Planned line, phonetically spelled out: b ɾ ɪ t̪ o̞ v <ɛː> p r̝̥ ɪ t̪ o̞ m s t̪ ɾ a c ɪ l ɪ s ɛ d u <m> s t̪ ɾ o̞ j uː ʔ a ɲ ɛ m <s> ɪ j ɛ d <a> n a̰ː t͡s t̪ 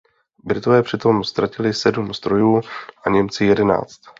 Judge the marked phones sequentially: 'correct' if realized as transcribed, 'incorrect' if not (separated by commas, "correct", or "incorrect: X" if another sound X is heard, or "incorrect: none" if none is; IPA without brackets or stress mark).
correct, correct, incorrect: t͡s, incorrect: ɛ